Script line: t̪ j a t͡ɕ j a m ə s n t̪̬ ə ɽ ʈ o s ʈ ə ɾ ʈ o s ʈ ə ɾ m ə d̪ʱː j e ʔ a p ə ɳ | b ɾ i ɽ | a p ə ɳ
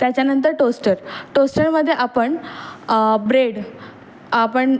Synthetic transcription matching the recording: t̪ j a t͡ɕ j a n ə n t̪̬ ə ɾ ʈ o s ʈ ə ɾ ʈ o s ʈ ə ɾ m ə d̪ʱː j e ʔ a p ə ɳ | b ɾ e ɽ | a p ə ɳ

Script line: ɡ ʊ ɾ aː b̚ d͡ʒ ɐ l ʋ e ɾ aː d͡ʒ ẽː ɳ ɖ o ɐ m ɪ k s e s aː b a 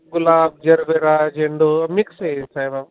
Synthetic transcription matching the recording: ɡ ʊ l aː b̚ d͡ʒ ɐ ɾ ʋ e ɾ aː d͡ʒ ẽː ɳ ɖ o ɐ m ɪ k s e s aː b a

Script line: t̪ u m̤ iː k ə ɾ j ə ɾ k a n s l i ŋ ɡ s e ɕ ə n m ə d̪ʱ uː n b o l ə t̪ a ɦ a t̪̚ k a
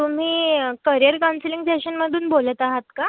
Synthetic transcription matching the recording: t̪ u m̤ iː k ə ɾ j ə ɾ k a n s l i ŋ ɡ s e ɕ ə n m ə d̪ʱ uː n b o l ə t̪ a ɦ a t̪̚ k a

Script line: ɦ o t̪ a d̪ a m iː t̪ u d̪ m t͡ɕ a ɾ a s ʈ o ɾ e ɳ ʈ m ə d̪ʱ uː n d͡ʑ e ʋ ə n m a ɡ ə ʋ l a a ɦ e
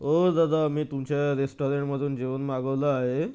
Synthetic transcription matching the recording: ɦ o d̪ a d̪ a m iː t̪ u m t͡ɕ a ɾ e s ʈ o ɾ e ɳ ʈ m ə d̪ʱ uː n d͡ʑ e ʋ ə n m a ɡ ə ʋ l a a ɦ e

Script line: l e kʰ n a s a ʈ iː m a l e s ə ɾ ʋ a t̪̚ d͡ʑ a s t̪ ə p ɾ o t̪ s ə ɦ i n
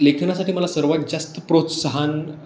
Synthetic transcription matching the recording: l e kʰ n a s a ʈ iː m ə l a s ə ɾ ʋ a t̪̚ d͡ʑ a s t̪ ə p ɾ o t̪ s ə ɦ a n

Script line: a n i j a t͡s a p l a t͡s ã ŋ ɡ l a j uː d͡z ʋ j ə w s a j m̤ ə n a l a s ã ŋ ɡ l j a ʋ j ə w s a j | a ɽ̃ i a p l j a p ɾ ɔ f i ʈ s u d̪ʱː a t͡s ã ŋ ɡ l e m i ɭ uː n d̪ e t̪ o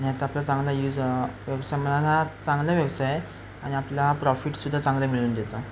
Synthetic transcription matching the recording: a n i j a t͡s a p l a t͡s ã ŋ ɡ l a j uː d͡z ʋ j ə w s a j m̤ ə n a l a t͡s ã ŋ ɡ l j a ʋ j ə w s a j | a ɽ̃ i a p l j a p ɾ ɔ f i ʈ s u d̪ʱː a t͡s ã ŋ ɡ l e m i ɭ uː n d̪ e t̪ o

